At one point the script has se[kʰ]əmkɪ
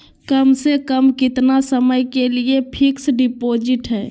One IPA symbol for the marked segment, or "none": k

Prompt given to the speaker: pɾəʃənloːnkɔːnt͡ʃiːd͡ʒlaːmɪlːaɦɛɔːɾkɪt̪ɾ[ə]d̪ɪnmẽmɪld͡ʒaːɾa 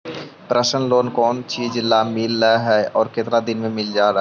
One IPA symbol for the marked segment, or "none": a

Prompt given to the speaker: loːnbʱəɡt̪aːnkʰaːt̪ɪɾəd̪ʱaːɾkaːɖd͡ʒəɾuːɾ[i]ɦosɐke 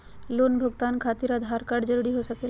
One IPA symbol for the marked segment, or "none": i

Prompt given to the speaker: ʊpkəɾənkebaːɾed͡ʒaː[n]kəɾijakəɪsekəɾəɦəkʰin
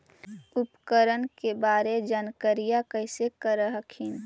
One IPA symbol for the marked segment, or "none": n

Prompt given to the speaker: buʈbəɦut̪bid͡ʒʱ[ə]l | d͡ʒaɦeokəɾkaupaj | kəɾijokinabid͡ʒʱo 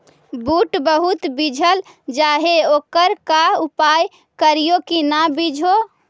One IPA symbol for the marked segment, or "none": ə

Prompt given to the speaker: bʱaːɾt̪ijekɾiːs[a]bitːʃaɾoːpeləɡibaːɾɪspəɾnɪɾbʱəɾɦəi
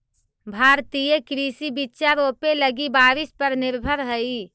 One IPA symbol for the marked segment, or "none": i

